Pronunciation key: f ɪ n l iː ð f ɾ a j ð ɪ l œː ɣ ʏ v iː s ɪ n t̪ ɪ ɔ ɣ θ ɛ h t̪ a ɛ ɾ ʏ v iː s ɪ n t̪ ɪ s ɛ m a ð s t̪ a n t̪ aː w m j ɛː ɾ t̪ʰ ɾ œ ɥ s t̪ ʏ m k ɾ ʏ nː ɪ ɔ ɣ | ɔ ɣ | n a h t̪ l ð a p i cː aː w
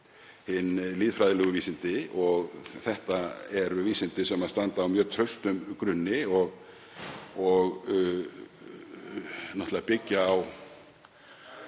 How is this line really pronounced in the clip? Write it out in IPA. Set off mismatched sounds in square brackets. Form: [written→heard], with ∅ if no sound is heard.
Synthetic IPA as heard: [f→h] ɪ n l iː ð f ɾ a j ð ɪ l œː ɣ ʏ v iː s ɪ n t̪ ɪ ɔ ɣ θ ɛ h t̪ a ɛ ɾ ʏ v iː s ɪ n t̪ ɪ s ɛ m a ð s t̪ a n t̪ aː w m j [ɛː→œː] ɾ t̪ʰ ɾ œ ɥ s t̪ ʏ m k ɾ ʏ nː ɪ ɔ ɣ | ɔ ɣ | n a h t̪ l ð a p [i→ɪ] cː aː w